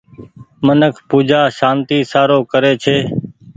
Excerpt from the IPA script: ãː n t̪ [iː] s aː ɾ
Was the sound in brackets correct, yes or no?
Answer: yes